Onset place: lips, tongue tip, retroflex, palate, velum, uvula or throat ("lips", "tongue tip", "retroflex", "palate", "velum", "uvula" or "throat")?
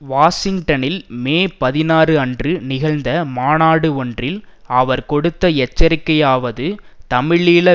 lips